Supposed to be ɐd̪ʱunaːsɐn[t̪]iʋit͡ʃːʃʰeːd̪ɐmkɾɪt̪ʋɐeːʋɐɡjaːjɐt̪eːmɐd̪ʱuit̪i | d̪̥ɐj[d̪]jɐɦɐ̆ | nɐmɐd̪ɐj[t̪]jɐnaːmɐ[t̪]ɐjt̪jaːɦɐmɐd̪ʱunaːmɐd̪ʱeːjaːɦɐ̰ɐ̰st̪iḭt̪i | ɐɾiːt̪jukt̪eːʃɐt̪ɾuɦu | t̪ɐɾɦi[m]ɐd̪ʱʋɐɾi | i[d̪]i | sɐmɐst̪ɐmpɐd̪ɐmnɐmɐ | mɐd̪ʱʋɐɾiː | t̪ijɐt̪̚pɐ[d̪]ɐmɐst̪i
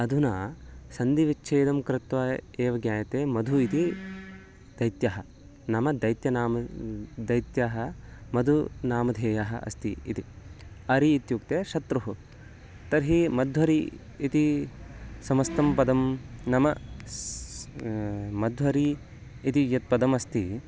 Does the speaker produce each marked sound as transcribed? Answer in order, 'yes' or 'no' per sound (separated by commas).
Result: no, no, yes, no, yes, no, yes